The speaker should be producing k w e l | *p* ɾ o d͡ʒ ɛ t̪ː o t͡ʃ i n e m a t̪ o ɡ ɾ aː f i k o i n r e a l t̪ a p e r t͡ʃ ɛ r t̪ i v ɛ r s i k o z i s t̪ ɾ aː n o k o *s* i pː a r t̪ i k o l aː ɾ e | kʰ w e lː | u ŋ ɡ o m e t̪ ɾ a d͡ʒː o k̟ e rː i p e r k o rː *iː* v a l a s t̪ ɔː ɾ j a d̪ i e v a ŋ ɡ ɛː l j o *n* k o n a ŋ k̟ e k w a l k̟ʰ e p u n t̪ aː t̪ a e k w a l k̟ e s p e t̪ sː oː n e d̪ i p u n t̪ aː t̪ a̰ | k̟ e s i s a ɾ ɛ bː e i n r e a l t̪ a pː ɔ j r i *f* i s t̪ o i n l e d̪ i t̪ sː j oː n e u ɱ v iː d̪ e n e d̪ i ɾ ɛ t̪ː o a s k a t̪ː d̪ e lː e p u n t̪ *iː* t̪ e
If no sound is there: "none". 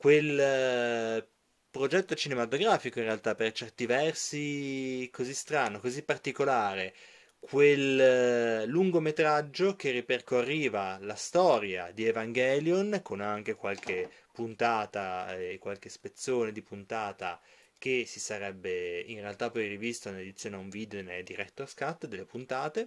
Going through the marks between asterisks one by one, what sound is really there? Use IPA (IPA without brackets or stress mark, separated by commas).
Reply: p, z, iː, n, v, aː